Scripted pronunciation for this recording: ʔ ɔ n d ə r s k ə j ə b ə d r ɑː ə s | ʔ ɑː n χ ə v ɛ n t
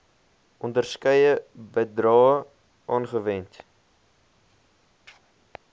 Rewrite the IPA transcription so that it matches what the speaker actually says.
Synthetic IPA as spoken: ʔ ɔ n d ə r s k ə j ə b ə d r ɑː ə | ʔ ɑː n χ ə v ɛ n t